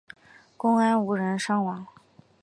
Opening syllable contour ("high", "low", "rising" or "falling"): high